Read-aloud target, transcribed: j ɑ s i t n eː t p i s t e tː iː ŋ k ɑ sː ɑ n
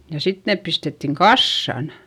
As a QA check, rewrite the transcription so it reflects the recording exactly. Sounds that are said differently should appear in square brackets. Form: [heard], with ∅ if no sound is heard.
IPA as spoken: j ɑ s i t n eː [p] p i s t e tː [i] ŋ k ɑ sː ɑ n